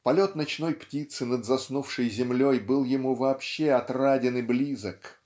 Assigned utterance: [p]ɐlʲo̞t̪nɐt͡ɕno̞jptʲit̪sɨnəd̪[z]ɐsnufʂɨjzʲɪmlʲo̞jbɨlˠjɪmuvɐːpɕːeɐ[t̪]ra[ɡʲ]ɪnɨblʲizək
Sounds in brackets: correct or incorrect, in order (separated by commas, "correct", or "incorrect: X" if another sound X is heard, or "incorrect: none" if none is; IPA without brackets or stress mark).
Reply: correct, correct, correct, incorrect: dʲ